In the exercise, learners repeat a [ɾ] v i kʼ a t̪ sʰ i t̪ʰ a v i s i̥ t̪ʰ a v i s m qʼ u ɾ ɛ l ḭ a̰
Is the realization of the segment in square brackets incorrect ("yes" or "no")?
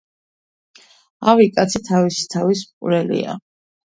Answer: yes